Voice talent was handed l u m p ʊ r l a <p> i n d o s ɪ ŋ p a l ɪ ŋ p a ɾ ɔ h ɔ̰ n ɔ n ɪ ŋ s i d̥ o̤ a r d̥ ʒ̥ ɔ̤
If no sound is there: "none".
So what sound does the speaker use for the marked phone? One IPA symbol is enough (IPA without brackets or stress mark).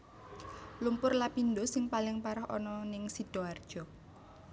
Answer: p